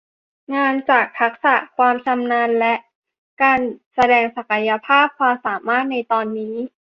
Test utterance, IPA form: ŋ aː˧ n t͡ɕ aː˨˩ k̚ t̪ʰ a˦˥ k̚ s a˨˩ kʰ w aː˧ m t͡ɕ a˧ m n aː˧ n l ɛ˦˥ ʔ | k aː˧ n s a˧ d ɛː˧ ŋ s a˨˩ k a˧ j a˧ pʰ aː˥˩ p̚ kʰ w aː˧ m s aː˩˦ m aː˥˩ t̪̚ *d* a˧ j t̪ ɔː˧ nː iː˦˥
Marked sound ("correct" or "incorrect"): incorrect